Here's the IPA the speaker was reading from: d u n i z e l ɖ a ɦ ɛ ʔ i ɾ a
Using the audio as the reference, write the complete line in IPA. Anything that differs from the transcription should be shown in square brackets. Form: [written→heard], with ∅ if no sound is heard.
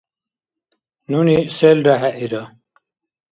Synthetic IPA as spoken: [d→n] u n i [z→s] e l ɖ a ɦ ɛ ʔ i ɾ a

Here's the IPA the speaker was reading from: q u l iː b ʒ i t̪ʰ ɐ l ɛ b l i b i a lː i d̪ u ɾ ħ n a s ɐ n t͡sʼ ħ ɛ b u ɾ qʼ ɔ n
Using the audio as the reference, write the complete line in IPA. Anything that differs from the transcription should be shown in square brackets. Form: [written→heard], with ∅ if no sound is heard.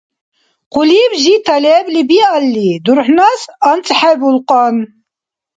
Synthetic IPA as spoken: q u l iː b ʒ i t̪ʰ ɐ l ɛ b l i b i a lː i d̪ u ɾ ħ n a s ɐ n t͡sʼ ħ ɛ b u [ɾ→l] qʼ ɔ n

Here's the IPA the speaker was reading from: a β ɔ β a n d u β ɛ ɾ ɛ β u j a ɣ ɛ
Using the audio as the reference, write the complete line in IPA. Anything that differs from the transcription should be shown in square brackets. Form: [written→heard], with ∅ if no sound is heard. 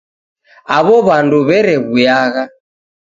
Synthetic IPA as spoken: a β ɔ β a n d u β ɛ ɾ ɛ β u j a ɣ [ɛ→a]

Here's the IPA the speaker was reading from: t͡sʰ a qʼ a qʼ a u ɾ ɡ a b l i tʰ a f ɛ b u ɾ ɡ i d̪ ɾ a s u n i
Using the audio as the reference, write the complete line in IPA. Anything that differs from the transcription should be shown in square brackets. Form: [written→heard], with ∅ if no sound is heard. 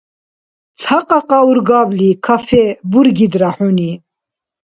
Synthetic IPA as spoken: t͡sʰ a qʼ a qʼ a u ɾ ɡ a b l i [tʰ→kʰ] a f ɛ b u ɾ ɡ i d̪ ɾ a [s→ħ] u n i

